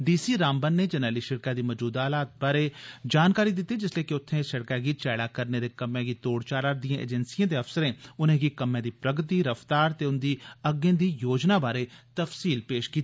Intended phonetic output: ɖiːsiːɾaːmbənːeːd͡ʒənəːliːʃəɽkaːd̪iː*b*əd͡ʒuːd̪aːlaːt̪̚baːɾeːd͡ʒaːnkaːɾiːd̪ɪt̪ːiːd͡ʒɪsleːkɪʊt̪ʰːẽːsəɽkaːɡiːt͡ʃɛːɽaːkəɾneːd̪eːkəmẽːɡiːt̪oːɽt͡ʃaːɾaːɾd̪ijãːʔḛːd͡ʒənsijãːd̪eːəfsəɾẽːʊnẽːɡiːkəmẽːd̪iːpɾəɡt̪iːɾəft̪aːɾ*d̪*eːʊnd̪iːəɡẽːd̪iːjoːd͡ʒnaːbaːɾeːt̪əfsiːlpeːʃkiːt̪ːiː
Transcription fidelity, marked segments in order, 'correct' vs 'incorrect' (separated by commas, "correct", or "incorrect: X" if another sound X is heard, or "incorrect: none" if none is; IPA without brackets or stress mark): incorrect: m, incorrect: t̪